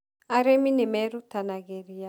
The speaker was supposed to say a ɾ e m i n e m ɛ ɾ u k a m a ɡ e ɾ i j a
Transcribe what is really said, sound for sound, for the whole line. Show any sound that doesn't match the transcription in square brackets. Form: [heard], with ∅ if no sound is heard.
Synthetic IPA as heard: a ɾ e m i n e m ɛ ɾ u [t] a [n] a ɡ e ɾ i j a